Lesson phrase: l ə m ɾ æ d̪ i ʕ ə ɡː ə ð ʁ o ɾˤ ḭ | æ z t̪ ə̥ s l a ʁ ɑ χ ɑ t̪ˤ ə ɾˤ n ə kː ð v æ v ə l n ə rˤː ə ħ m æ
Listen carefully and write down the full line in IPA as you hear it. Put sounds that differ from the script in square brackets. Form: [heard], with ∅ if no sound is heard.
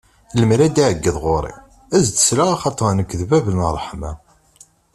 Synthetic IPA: l ə m ɾ æ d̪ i ʕ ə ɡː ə ð ʁ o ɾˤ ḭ | æ z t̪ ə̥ s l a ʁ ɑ χ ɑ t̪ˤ ə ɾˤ n ə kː ð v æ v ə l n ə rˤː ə ħ m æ

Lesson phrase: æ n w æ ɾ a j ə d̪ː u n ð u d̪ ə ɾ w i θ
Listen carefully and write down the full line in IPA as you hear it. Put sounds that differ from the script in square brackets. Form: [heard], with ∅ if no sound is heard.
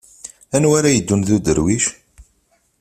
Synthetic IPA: æ n w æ ɾ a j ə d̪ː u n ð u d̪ ə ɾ w i [ʃ]

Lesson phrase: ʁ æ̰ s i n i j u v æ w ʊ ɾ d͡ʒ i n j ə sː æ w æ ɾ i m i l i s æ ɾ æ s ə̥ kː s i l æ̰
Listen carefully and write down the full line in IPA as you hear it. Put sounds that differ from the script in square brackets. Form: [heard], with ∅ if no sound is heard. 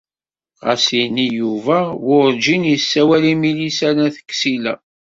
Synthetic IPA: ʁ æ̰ s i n i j u v æ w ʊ ɾ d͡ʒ i n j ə sː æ w æ [l] i m i l i s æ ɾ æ [θ] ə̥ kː s i l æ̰

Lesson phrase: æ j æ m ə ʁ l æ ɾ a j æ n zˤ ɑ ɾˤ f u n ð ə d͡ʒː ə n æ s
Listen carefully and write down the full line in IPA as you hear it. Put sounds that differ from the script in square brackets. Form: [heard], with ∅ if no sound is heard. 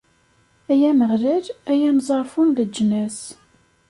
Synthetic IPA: æ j æ m ə ʁ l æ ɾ [æ] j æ n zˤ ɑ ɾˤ f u n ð ə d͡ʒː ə n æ s

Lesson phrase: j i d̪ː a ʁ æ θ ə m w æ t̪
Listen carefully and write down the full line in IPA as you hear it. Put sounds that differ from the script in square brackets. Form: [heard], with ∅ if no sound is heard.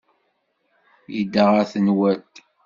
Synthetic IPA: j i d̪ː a ʁ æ θ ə [n] w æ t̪

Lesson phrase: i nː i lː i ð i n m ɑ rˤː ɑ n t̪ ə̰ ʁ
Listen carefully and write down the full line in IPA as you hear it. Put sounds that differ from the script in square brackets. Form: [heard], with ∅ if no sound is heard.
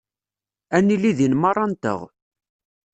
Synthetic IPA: [æ] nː i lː i ð i n m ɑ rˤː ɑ n t̪ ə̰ ʁ

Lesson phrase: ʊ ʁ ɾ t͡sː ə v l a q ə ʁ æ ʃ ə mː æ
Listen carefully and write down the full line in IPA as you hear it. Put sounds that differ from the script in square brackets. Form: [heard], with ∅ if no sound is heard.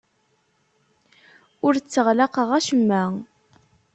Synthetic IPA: ʊ [∅] ɾ t͡sː ə [ʁ] l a q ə ʁ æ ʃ ə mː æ

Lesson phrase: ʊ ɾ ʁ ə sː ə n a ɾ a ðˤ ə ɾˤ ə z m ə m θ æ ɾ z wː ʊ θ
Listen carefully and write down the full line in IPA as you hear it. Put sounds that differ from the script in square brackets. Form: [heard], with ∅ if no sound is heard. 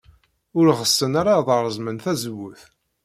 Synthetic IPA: ʊ ɾ ʁ ə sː ə n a ɾ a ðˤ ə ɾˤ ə z m ə [n] θ æ [∅] z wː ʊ θ

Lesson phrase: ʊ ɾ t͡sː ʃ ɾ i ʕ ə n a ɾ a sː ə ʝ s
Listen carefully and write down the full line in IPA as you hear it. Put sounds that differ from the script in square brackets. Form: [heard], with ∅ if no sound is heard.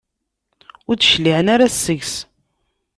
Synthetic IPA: ʊ ɾ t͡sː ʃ [l] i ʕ ə n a ɾ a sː ə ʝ s

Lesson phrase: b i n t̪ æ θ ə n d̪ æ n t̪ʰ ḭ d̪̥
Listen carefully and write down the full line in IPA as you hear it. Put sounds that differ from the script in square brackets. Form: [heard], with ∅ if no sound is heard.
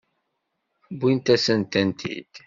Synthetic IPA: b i n t̪ æ [s] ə n [t̪] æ n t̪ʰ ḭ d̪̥

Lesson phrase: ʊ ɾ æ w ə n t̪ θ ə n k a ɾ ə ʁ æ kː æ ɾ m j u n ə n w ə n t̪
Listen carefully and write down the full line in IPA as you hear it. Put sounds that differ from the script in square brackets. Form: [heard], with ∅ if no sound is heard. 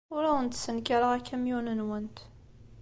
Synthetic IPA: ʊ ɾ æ w ə n t̪ [s] ə n k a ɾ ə ʁ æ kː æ [∅] m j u n ə n w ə n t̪

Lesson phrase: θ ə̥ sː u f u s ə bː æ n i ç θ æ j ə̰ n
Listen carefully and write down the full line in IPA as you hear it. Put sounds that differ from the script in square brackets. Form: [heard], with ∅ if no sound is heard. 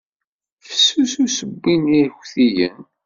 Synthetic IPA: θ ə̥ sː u [s] u s ə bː [i] n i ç θ [i] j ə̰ n

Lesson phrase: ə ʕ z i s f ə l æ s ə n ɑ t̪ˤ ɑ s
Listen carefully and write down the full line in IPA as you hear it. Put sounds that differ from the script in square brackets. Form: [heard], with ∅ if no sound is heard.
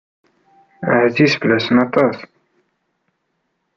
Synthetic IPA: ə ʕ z i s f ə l æ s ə n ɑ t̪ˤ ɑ s

